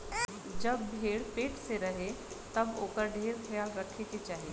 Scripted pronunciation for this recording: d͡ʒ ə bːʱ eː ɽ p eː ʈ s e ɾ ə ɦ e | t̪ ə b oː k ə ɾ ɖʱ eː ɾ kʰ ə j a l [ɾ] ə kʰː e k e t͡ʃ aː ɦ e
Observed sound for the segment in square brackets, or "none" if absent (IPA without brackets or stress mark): ɾ